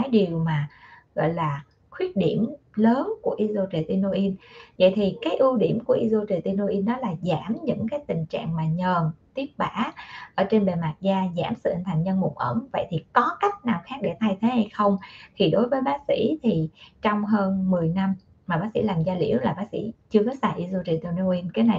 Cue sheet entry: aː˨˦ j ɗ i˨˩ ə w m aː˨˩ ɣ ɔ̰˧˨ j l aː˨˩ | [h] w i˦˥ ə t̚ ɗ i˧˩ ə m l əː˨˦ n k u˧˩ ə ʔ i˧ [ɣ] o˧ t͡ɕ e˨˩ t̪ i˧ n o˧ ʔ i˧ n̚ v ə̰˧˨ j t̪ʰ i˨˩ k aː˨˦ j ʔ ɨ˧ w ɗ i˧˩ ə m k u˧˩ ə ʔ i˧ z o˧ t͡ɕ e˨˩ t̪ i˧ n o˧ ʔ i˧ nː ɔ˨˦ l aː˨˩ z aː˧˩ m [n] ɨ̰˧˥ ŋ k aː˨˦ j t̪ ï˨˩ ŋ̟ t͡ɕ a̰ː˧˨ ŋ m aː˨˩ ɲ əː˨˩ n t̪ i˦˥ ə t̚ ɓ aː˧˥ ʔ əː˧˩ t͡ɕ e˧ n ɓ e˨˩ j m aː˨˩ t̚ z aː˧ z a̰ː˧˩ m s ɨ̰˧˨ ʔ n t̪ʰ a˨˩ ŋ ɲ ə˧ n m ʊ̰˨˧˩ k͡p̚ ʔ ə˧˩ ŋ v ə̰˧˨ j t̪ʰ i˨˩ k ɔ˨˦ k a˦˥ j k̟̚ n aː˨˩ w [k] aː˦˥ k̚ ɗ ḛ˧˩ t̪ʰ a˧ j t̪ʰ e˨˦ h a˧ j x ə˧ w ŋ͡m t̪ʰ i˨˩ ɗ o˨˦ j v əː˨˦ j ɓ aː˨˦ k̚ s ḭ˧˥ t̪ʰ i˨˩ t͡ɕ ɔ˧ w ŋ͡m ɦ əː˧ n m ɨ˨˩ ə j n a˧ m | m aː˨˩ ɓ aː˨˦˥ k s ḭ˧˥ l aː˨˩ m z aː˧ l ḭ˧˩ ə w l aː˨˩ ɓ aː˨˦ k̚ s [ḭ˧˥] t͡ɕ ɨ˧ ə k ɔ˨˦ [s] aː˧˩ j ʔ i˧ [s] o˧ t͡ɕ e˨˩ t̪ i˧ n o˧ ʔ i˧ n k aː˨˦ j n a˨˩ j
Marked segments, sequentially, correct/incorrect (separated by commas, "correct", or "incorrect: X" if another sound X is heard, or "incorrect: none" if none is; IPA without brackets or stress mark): incorrect: x, incorrect: z, incorrect: ɲ, incorrect: x, correct, correct, incorrect: z